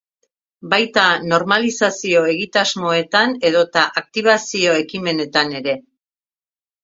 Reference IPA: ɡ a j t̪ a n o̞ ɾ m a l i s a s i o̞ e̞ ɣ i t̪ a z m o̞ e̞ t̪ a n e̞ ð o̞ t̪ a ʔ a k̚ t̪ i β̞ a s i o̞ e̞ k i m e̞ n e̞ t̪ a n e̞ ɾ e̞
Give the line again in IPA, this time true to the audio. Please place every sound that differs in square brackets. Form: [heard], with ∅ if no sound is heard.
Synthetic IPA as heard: [b] a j t̪ a n o̞ ɾ m a l i s a s i o̞ e̞ ɣ i t̪ a z m o̞ e̞ t̪ a n e̞ ð o̞ t̪ a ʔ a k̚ t̪ i β̞ a s i o̞ e̞ k i m e̞ n e̞ t̪ a n e̞ ɾ e̞